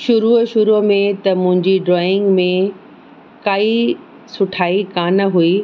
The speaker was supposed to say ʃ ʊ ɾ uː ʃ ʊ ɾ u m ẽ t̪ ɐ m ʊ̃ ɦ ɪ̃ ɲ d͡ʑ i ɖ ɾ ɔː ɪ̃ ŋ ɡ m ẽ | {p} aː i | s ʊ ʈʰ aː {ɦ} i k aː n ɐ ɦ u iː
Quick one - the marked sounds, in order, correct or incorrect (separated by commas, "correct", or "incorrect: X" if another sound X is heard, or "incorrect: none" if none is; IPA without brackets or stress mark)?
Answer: incorrect: k, incorrect: none